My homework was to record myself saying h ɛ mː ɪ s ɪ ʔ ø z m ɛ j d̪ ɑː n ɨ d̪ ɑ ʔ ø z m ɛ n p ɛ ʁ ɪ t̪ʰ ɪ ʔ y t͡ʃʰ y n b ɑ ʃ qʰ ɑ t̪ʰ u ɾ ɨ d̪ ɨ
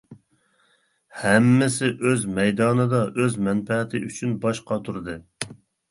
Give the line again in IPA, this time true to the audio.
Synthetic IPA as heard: h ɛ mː ɪ s ɪ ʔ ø z m ɛ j d̪ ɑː n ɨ d̪ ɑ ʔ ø z m ɛ n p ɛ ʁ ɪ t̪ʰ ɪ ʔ y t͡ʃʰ y n b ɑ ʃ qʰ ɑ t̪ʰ u ɾ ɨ d̪ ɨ